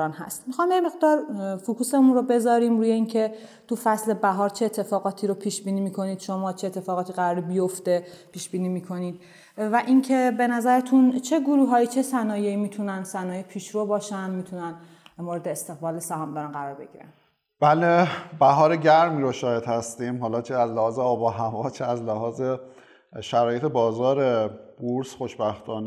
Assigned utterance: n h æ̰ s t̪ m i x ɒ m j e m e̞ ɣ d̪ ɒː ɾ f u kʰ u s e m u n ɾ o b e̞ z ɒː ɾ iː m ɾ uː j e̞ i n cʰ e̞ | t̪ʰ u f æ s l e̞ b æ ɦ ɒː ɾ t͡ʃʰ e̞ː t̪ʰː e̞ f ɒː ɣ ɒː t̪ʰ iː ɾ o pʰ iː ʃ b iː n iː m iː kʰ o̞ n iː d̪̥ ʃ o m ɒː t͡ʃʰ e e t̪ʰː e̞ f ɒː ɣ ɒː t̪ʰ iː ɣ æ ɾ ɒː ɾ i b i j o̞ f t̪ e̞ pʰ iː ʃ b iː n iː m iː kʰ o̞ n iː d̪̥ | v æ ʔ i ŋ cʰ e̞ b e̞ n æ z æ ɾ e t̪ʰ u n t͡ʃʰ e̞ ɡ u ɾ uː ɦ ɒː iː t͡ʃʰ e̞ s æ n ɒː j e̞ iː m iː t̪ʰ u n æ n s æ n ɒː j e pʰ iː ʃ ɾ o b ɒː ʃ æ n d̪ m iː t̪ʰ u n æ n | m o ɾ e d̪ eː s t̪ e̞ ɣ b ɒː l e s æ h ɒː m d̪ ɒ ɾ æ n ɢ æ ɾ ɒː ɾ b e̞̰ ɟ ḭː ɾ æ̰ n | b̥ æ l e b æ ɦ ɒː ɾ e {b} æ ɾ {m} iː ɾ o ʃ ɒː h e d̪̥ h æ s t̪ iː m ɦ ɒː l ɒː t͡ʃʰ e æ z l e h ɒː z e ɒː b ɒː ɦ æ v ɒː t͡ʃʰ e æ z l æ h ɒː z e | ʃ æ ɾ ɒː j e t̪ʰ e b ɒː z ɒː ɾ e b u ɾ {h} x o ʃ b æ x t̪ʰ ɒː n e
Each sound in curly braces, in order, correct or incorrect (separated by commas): incorrect, correct, incorrect